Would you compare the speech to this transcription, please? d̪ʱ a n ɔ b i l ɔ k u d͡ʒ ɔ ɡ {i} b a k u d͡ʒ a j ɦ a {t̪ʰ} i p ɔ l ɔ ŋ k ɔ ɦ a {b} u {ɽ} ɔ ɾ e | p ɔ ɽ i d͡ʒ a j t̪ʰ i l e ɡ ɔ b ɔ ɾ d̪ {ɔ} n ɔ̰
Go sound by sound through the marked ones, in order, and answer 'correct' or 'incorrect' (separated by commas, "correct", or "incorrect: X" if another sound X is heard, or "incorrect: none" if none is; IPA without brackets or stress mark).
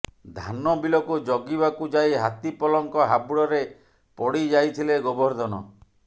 correct, incorrect: t̪, correct, correct, correct